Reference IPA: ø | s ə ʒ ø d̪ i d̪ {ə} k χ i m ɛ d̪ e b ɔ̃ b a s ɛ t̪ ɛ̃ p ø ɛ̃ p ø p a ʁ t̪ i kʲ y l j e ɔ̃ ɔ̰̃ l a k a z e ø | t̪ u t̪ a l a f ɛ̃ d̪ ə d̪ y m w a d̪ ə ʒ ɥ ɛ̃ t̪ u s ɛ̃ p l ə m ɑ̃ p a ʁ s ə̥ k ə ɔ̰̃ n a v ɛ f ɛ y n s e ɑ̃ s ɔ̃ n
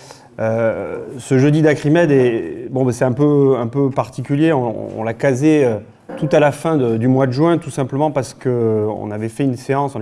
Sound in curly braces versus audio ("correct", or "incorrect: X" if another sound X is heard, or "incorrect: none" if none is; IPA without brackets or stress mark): incorrect: a